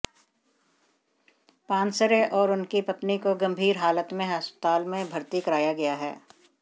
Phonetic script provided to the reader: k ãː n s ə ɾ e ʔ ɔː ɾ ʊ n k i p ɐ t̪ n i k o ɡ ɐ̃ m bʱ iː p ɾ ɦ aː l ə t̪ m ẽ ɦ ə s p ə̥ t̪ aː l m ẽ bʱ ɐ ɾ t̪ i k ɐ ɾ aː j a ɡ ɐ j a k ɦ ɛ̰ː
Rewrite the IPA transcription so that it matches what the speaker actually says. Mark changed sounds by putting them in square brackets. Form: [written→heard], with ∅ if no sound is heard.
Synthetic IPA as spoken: [k→p] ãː n s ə ɾ e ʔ ɔː ɾ ʊ n k i p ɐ t̪ n i k o ɡ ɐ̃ m bʱ iː [p→∅] ɾ ɦ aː l ə t̪ m ẽ ɦ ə s p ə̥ t̪ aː l m ẽ bʱ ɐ ɾ t̪ i k ɐ ɾ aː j a ɡ ɐ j a [k→∅] ɦ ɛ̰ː